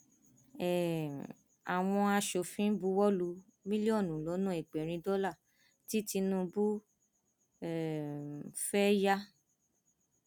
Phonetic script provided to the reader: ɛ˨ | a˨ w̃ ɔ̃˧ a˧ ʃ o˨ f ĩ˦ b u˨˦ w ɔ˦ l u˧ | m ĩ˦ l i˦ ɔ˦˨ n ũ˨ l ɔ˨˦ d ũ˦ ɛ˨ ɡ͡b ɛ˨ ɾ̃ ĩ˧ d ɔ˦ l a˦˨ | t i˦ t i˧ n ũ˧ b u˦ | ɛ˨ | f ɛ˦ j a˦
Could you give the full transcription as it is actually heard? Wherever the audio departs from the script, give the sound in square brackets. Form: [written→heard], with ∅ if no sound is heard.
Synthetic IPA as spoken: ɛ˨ | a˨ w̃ ɔ̃˧ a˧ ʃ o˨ f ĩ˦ b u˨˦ w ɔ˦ l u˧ | m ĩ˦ l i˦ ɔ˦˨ n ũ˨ l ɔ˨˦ [d→n] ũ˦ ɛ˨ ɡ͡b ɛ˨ ɾ̃ ĩ˧ d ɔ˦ l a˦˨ | t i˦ t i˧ n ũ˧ b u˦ | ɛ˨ | f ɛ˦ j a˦